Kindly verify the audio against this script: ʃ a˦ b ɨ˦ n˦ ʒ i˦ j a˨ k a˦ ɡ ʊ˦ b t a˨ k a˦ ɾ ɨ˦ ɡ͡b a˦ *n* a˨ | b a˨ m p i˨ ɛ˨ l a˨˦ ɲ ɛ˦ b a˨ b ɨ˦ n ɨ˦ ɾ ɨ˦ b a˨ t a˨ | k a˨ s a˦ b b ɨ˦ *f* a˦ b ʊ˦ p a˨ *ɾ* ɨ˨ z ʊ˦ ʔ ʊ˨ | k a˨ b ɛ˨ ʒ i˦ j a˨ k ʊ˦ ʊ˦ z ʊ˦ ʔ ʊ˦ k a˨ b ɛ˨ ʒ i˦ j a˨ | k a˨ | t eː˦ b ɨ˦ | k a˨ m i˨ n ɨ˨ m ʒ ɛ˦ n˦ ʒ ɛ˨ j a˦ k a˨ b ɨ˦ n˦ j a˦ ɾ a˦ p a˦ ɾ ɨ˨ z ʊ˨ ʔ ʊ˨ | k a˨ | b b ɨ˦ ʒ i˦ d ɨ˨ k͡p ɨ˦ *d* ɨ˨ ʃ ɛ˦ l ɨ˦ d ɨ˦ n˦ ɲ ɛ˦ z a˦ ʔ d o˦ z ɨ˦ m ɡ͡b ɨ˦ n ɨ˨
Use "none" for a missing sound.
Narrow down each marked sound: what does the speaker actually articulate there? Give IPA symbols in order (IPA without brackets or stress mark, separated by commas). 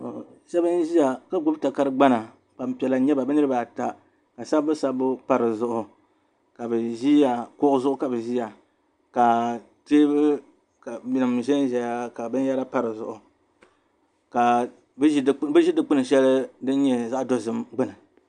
n, s, ɾ, n